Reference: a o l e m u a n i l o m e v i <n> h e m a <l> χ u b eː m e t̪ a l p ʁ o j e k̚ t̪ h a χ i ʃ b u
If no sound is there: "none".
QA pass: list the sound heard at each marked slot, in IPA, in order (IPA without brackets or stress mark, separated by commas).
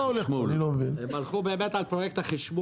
n, l